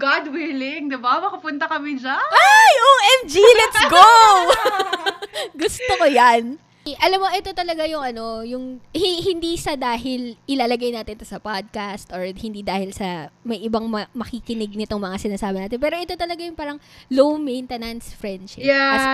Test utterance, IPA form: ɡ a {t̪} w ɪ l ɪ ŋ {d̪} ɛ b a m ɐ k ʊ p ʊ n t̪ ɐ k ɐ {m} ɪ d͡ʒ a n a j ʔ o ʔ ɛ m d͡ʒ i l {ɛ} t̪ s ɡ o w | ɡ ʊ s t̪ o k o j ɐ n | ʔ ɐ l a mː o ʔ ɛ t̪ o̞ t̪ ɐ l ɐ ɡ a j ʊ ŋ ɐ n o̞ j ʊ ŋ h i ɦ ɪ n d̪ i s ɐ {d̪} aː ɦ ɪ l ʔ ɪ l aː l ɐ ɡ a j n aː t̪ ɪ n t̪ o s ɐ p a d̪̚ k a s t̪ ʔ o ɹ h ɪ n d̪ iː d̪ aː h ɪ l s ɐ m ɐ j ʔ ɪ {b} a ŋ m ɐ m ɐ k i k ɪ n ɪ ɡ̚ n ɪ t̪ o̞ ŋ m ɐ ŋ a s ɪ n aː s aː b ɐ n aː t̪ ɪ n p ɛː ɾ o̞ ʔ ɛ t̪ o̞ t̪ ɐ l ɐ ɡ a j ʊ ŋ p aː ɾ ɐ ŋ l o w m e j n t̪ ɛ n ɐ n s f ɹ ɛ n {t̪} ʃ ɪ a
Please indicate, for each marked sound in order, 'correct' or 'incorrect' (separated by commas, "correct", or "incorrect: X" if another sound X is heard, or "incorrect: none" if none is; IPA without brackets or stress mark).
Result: incorrect: d̪, correct, correct, correct, correct, correct, incorrect: d̪